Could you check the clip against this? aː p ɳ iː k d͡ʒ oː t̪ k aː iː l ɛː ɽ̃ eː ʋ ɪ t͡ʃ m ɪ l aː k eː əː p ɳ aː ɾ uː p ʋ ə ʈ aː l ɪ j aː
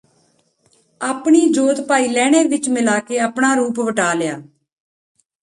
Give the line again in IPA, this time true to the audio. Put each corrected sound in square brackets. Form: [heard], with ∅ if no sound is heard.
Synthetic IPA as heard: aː p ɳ iː [∅] d͡ʒ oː t̪ [p] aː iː l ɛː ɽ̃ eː ʋ ɪ t͡ʃ m ɪ l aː k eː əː p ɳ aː ɾ uː p ʋ ə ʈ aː l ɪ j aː

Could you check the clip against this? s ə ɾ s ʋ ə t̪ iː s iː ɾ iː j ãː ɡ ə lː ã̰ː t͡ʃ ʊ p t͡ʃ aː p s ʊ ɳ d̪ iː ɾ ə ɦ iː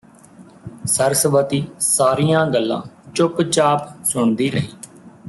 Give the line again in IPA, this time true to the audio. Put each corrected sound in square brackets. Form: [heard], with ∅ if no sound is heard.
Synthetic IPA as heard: s ə ɾ s ʋ ə t̪ iː s [aː] ɾ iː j ãː ɡ ə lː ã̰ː t͡ʃ ʊ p t͡ʃ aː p s ʊ ɳ d̪ iː ɾ ə ɦ iː

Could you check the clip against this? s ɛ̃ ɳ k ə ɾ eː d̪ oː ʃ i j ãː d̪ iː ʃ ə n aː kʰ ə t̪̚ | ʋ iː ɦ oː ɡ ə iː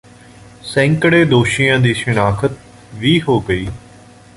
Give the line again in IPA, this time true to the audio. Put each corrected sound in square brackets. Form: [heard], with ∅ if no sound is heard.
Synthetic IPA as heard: s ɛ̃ [ŋ] k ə [ɽ] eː d̪ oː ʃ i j ãː d̪ iː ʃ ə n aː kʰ ə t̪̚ | ʋ iː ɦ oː ɡ ə iː

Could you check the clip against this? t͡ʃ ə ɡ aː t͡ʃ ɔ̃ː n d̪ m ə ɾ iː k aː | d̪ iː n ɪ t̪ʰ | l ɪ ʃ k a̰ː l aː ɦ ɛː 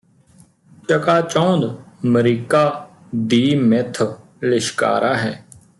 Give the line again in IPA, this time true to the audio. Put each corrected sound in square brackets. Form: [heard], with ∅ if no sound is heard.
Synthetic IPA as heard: t͡ʃ ə [k] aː t͡ʃ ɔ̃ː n d̪ m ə ɾ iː k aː | d̪ iː [m] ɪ t̪ʰ | l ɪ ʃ k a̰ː [ɾ] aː ɦ ɛː

